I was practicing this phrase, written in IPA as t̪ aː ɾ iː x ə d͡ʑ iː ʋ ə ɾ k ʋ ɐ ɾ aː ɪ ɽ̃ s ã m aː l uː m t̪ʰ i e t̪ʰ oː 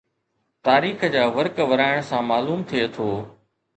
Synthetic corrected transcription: t̪ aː ɾ iː x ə d͡ʑ aː ʋ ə ɾ k ʋ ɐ ɾ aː ɪ ɽ̃ s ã m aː l uː m t̪ʰ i e t̪ʰ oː